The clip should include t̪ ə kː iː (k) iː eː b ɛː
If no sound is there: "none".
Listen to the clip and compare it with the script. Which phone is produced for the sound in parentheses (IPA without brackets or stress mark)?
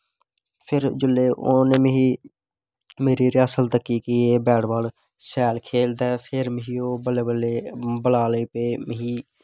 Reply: k